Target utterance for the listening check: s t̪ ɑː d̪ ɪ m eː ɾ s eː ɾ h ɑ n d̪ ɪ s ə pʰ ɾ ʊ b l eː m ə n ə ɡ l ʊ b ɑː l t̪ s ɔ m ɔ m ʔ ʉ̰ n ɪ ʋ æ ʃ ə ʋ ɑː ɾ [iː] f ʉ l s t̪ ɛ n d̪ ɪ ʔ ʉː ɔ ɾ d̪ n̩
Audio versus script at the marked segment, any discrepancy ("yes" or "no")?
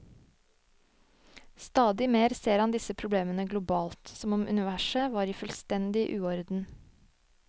no